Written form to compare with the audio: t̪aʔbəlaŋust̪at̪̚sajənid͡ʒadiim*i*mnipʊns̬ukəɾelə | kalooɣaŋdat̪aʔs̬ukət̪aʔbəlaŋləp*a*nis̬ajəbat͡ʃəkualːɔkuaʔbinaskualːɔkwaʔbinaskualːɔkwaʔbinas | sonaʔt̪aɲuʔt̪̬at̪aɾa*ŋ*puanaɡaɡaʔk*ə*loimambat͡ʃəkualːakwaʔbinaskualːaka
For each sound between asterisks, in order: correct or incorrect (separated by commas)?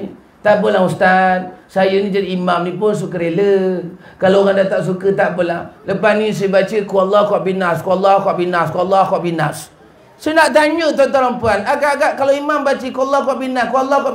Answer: incorrect, correct, incorrect, incorrect